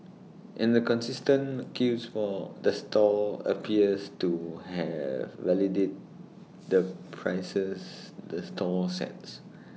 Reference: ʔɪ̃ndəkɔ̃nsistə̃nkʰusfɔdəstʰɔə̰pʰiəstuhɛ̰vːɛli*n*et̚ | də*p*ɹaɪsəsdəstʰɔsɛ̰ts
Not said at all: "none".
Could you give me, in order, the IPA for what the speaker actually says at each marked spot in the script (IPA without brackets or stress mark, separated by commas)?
d, pʰ